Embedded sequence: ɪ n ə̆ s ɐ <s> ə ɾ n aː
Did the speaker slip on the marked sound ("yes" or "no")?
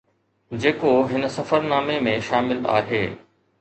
yes